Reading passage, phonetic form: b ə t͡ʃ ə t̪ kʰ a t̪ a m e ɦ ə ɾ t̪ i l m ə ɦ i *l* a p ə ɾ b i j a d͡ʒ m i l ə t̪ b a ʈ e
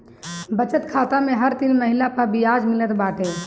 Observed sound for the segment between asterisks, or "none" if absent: l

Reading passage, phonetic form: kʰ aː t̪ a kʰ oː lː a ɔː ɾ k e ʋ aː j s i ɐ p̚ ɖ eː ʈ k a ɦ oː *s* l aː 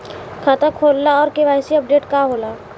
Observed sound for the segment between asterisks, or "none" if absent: none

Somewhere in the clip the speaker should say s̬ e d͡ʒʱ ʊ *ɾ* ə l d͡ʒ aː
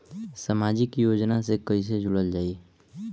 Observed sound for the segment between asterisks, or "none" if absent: ɽ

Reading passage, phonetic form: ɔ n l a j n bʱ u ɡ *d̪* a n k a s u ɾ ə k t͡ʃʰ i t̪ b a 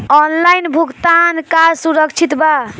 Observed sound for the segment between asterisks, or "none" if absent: t̪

